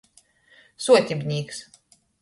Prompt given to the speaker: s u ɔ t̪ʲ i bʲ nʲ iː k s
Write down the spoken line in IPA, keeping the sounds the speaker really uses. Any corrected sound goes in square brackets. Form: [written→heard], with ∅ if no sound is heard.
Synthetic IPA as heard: s u ɔ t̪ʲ i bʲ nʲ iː k s